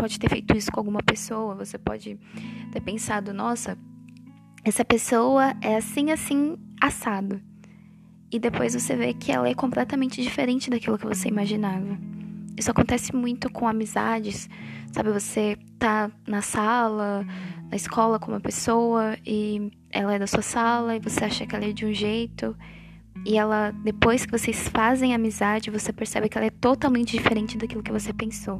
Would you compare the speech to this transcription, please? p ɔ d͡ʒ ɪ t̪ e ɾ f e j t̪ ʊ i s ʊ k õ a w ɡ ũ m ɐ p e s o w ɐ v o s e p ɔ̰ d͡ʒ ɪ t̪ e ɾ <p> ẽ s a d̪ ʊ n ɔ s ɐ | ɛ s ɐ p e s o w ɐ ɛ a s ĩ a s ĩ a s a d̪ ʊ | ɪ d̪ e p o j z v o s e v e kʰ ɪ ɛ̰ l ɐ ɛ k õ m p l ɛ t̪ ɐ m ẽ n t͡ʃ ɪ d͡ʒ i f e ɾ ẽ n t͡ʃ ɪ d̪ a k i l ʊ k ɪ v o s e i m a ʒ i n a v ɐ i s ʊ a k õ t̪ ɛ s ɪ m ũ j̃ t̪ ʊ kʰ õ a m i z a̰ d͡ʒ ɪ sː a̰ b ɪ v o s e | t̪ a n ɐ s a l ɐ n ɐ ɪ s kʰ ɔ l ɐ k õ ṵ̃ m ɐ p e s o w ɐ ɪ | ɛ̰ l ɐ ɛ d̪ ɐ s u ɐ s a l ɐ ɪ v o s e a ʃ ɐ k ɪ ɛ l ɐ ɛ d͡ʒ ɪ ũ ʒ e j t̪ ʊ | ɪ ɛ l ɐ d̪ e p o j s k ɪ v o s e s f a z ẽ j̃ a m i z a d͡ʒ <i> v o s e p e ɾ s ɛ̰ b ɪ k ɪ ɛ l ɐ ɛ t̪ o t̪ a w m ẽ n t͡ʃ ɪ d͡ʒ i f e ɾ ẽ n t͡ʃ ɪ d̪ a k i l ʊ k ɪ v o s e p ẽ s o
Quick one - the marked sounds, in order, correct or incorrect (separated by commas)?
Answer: correct, incorrect